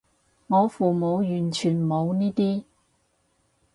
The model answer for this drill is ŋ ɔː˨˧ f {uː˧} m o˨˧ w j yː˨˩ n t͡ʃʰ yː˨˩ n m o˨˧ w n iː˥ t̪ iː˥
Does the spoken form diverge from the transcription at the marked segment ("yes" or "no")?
yes